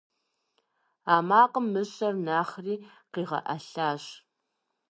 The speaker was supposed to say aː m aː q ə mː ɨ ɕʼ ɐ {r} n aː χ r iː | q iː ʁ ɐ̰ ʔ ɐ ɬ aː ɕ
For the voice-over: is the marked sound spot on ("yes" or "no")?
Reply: yes